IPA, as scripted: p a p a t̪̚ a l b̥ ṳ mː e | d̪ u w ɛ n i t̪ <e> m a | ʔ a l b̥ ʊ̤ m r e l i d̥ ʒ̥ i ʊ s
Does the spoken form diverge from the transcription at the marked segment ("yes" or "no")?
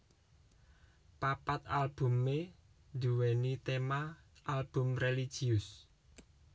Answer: no